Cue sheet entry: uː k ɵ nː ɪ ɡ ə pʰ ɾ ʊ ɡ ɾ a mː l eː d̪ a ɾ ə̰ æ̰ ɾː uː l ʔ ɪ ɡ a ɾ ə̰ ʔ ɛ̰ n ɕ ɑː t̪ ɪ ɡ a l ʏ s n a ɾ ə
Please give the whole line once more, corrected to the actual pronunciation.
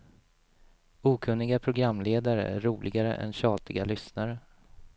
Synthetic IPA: uː kʰ ɵ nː ɪ ɡ a pʰ ɾ ʊ ɡ ɾ a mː l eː d̪ a ɾ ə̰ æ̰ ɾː uː l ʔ ɪ ɡ a ɾ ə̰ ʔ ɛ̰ n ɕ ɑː t̪ ɪ ɡ a l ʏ s n a ɾ ə